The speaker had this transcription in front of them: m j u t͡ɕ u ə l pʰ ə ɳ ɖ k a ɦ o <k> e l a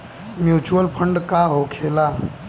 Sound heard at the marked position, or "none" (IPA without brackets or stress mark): kʰ